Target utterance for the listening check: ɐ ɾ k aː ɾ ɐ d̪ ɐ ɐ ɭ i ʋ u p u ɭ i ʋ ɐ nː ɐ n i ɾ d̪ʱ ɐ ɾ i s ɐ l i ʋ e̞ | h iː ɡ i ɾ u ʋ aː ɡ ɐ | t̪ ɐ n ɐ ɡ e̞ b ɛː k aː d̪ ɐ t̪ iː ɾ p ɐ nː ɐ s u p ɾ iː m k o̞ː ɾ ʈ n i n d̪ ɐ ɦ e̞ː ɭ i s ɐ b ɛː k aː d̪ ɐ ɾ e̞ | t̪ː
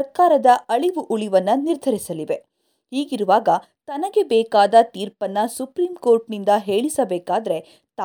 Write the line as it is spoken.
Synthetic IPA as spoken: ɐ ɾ k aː ɾ ɐ d̪ ɐ ɐ ɭ i ʋ u ʔ u ɭ i ʋ ɐ nː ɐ n i ɾ d̪ʱ ɐ ɾ i s ɐ l i ʋ e̞ | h iː ɡ i ɾ u ʋ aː ɡ ɐ | t̪ ɐ n ɐ ɡ e̞ b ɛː k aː d̪ ɐ t̪ iː ɾ p ɐ nː ɐ s u p ɾ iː m k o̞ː ɾ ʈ n i n d̪ ɐ ɦ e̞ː ɭ i s ɐ b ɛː k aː d̪ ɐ ɾ e̞ | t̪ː